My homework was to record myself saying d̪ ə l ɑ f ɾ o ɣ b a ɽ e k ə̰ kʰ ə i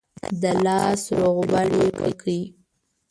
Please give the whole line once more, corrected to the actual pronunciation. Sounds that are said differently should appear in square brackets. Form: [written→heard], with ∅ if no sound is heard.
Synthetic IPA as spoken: d̪ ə l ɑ [f→s] ɾ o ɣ b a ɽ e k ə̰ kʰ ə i